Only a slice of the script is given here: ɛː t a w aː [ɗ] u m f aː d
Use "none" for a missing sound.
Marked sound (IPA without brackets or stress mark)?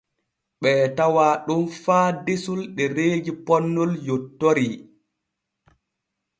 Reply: ɗ